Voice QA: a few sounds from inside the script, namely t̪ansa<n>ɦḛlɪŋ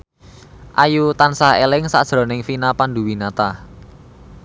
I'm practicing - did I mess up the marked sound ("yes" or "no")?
yes